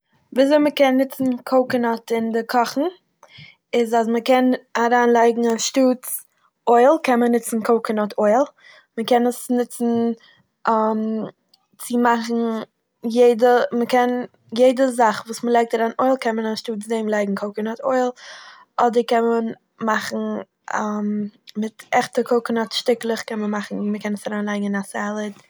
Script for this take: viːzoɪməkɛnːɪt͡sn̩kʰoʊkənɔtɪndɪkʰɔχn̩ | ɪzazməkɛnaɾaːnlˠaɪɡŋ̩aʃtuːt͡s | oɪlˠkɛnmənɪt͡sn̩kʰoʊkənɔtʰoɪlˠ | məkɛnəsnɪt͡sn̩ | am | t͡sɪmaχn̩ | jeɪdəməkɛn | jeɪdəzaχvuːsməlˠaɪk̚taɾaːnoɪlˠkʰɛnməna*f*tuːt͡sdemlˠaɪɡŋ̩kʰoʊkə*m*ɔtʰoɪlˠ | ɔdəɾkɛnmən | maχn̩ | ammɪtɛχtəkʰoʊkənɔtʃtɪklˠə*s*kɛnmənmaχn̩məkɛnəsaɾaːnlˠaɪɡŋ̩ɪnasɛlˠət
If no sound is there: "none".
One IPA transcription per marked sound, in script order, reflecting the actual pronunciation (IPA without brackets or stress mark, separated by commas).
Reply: ʃ, n, χ